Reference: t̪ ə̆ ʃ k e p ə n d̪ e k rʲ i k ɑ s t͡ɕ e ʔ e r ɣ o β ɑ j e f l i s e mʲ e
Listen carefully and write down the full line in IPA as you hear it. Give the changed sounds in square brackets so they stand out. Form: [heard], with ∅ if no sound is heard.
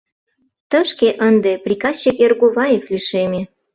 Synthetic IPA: t̪ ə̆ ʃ k e [ʔ] ə n d̪ e [p] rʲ i k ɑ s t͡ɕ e [k] e r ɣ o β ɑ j e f l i [ʃ] e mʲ e